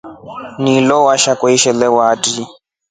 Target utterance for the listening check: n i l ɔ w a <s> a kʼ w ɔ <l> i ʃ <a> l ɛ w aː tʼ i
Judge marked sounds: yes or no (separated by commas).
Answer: no, no, no